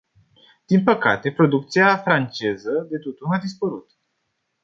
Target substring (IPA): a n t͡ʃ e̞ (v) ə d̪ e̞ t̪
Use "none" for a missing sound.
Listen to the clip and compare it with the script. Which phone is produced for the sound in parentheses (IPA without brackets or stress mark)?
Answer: z